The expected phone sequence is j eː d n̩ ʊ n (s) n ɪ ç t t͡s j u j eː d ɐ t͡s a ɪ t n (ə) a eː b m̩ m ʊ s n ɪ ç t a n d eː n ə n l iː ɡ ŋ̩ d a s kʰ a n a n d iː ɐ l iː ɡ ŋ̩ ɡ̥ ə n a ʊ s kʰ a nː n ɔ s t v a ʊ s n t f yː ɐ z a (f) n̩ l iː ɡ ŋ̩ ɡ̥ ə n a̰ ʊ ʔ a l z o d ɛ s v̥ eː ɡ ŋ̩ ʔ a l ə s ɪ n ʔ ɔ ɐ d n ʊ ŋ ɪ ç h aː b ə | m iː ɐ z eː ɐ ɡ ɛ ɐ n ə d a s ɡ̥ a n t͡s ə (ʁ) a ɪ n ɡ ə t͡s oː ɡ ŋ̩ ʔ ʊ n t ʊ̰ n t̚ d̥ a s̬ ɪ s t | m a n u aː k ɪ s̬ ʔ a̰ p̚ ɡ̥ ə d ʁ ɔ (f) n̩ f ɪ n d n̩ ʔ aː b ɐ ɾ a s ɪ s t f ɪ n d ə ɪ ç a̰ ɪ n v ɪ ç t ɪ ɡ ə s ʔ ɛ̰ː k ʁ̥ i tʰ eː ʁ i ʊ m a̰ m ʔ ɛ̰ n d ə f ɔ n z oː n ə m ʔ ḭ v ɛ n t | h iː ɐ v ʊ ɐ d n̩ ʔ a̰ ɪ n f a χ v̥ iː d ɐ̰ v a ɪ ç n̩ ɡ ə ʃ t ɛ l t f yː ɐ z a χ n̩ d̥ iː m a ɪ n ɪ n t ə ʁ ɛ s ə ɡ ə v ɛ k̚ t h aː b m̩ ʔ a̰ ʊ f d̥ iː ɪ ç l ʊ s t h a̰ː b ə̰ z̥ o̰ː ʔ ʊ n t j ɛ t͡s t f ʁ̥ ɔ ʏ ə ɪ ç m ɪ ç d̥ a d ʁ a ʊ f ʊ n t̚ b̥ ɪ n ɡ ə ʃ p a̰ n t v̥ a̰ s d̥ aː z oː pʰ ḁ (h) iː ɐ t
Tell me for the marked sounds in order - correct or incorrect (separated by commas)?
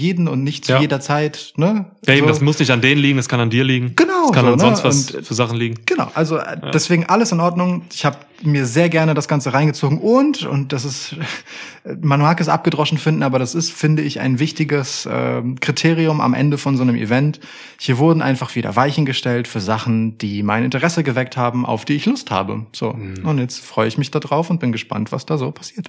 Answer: incorrect, correct, incorrect, correct, incorrect, incorrect